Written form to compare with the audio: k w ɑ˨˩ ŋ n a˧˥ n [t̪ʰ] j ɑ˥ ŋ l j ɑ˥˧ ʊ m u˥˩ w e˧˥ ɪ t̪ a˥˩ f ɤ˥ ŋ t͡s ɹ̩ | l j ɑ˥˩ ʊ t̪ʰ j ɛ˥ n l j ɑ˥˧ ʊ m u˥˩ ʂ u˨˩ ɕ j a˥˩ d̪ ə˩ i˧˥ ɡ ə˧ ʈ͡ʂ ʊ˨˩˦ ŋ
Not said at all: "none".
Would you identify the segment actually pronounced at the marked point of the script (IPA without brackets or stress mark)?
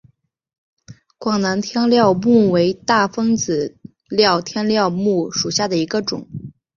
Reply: t̪ʰ